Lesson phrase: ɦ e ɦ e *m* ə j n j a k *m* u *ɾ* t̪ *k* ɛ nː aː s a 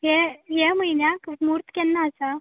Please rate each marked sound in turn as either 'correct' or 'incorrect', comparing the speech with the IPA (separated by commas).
correct, correct, correct, correct